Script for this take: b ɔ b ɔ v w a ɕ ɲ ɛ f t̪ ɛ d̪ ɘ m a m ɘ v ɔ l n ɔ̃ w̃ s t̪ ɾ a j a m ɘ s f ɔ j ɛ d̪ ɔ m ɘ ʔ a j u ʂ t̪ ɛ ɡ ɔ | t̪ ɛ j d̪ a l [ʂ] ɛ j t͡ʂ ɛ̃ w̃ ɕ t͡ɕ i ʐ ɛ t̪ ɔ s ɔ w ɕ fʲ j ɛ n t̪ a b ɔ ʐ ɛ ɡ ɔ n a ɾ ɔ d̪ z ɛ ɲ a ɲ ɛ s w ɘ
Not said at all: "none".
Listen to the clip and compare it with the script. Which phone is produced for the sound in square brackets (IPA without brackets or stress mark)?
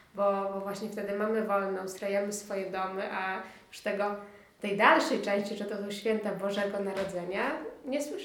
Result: ʂ